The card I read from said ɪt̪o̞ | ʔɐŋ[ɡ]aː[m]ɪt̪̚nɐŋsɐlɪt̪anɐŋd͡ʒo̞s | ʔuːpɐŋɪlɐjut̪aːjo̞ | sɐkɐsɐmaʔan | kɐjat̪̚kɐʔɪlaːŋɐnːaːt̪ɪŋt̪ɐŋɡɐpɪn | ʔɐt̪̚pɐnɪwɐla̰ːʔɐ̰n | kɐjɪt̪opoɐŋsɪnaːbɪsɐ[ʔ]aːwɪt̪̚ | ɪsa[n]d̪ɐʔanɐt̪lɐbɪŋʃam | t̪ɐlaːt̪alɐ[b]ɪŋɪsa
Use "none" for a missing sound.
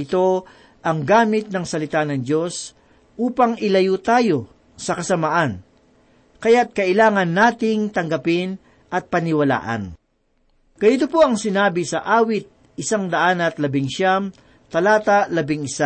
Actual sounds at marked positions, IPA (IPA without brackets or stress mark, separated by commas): ɡ, m, ʔ, ŋ, b